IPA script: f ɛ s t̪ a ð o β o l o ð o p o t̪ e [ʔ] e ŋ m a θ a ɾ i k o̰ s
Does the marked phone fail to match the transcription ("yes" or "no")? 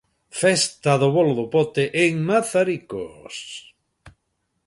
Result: no